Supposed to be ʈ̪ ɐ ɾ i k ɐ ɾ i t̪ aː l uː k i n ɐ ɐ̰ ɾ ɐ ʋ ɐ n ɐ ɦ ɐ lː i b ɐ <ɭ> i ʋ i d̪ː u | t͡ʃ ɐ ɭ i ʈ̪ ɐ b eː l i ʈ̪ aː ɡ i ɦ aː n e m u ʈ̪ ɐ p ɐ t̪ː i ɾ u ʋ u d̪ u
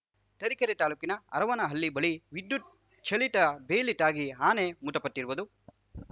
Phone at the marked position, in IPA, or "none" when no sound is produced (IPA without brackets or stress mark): ɭ